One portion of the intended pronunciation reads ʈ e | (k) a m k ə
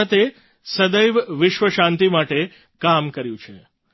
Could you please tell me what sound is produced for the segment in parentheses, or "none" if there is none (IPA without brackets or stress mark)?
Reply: k